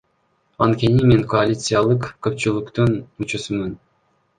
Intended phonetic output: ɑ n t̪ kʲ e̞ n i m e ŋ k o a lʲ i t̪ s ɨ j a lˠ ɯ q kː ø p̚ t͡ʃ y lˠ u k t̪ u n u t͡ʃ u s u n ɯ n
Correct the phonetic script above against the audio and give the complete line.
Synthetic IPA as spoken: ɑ n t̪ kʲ e̞ n i m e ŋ k o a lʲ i t̪ s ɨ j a lˠ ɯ q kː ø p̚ t͡ʃ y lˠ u k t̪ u n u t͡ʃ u s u m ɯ n